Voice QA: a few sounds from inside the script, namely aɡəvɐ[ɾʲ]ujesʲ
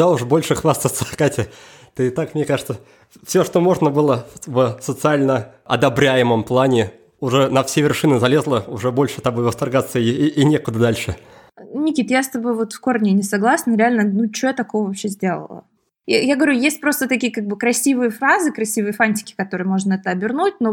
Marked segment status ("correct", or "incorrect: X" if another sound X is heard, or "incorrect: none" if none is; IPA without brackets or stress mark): correct